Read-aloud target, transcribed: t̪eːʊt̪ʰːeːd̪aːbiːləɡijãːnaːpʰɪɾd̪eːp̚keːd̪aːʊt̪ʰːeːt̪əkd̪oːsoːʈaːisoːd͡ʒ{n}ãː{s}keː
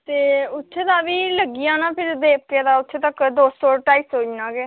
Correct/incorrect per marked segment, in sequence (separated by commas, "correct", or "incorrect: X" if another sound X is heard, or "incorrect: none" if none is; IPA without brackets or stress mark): correct, incorrect: none